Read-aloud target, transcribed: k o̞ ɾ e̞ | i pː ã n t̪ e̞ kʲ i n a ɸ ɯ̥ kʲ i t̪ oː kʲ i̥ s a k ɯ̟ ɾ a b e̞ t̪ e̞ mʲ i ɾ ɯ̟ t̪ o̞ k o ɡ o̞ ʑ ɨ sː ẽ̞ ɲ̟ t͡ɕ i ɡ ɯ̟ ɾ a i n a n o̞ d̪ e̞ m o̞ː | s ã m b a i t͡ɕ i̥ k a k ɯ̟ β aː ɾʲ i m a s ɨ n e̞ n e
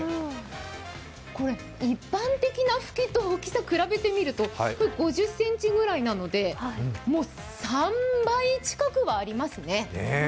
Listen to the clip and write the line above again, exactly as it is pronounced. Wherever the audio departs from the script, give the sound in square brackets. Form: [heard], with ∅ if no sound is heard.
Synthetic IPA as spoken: k o̞ ɾ e̞ | i pː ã n t̪ e̞ kʲ i n a ɸ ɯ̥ kʲ i t̪ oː kʲ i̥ s a k ɯ̟ ɾ a b e̞ t̪ e̞ mʲ i ɾ ɯ̟ t̪ o̞ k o ɡ o̞ ʑ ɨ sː ẽ̞ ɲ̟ t͡ɕ i ɡ ɯ̟ ɾ a i n a n o̞ d̪ e̞ m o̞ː | s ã m b a i t͡ɕ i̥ k a k ɯ̟ β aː ɾʲ i m a s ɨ n e̞ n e